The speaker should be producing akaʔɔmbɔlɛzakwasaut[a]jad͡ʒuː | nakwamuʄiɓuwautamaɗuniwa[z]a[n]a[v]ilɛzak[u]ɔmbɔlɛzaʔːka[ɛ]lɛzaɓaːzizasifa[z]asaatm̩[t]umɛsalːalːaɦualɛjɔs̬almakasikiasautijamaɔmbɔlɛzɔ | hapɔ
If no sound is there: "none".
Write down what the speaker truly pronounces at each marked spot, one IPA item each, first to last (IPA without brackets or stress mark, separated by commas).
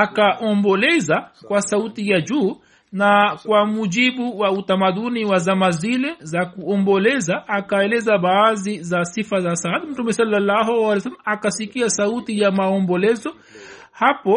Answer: i, z, m, z, u, ɛ, z, t